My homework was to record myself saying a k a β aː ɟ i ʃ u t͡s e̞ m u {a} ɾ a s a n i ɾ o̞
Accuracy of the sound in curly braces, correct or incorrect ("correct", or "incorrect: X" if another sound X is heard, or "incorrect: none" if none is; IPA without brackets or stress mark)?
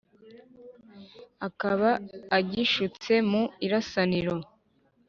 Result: incorrect: i